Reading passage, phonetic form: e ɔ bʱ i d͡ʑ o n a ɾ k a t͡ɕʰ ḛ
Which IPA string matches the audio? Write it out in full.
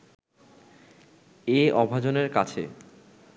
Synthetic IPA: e ɔ bʱ a d͡ʑ o n e ɾ k a t͡ɕʰ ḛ